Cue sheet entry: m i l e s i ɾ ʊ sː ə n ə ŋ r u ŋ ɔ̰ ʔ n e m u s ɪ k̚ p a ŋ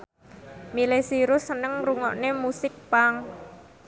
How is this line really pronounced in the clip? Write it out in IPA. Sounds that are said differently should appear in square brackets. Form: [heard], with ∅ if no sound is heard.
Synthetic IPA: m i l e s i ɾ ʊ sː ə n ə ŋ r u ŋ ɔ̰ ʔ n e m u s ɪ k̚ p a ŋ